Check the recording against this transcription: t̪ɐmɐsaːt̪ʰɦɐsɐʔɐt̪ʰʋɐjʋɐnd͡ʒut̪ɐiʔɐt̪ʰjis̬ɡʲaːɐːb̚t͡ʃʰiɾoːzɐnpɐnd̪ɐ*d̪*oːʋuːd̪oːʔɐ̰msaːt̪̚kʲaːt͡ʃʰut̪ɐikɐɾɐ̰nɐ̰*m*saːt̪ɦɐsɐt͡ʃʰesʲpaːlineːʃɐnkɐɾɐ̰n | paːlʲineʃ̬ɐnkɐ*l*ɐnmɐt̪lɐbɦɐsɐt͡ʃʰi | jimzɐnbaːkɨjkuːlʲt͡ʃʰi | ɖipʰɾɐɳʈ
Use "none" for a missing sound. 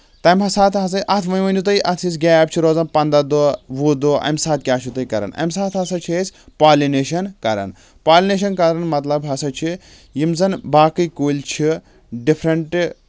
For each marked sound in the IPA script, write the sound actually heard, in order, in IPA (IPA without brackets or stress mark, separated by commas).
d̪, m, ɾ